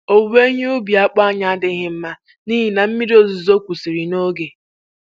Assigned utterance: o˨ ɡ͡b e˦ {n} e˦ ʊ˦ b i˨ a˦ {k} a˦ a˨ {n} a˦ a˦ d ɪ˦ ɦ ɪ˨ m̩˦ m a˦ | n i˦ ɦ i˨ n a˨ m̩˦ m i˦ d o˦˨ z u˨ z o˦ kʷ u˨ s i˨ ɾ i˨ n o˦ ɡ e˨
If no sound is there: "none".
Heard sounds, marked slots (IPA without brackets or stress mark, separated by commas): ɲ, k͡p, ɲ